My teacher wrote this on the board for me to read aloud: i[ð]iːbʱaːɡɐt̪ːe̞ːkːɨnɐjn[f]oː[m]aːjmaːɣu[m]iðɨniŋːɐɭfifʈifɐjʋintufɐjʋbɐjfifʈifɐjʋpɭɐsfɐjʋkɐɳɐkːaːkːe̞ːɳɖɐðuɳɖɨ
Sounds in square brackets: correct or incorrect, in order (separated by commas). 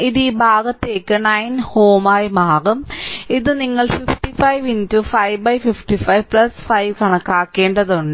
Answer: correct, incorrect, correct, correct